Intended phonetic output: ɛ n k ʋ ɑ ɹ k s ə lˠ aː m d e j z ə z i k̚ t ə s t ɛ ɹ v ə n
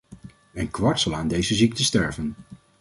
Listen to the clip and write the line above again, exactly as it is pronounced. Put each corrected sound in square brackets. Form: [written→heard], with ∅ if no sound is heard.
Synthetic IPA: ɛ n k ʋ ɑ ɹ [k→t] s [ə→ɑ] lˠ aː [m→n] d e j z ə z i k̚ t ə s t ɛ ɹ v ə n